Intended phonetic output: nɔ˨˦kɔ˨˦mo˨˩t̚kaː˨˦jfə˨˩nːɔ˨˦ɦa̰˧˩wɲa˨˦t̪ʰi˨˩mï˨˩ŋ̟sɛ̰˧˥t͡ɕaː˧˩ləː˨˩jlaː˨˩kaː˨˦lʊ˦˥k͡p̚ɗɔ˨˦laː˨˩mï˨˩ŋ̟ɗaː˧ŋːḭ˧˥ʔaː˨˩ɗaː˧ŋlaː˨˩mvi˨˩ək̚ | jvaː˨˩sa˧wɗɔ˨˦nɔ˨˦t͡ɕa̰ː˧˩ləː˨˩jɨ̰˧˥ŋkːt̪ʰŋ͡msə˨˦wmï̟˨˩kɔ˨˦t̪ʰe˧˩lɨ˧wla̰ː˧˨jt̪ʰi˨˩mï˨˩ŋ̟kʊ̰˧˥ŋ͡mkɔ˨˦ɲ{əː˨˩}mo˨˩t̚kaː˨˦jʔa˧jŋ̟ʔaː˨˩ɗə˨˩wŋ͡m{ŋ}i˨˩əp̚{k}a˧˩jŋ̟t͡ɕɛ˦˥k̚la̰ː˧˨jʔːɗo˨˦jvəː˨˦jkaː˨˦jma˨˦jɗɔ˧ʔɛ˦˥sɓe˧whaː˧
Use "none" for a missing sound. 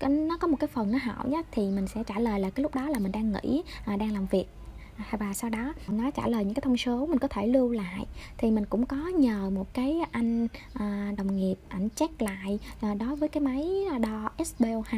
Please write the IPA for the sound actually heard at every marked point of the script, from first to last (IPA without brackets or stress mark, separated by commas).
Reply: əː˨˩, ŋ, ʔ